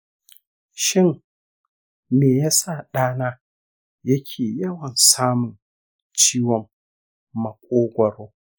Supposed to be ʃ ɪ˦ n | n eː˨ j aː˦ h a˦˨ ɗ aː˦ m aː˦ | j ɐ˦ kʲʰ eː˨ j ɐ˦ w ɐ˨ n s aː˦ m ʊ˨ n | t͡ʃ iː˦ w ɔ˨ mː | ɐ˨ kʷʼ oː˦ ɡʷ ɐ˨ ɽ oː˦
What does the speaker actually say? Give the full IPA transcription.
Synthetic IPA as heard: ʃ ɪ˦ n | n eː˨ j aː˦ s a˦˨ ɗ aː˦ n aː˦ | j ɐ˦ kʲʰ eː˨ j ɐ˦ w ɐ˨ n s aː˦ m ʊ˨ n | t͡ʃ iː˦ w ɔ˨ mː | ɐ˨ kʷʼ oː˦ ɡʷ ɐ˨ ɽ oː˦